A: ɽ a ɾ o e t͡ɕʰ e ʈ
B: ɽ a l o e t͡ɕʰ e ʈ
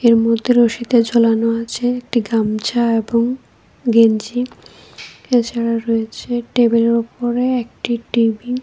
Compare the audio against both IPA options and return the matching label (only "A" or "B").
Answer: A